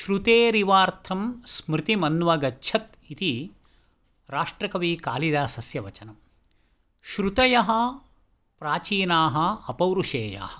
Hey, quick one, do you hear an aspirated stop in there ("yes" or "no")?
yes